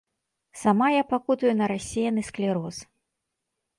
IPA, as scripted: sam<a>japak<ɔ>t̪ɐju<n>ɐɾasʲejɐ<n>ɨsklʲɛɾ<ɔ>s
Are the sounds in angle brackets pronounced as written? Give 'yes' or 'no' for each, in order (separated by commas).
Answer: yes, no, yes, yes, yes